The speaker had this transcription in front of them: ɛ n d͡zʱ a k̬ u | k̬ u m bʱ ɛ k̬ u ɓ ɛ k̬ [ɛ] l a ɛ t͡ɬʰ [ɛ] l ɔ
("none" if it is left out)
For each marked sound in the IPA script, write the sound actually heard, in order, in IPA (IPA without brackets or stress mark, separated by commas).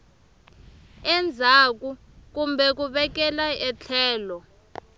ɛ, ɛː